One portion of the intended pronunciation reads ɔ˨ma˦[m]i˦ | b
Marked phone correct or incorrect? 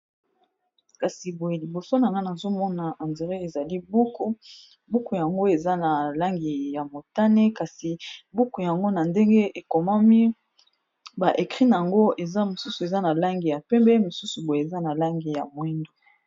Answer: correct